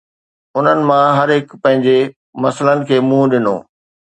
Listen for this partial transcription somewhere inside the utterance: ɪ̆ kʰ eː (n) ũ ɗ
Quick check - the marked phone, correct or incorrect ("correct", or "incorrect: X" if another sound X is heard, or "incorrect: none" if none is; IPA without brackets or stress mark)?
incorrect: m